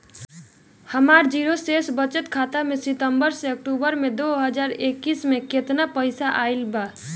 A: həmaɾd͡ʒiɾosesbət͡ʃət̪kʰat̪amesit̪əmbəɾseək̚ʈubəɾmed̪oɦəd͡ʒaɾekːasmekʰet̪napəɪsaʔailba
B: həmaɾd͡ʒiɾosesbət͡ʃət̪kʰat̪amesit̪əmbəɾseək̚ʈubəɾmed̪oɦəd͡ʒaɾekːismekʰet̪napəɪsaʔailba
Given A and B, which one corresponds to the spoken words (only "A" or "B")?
B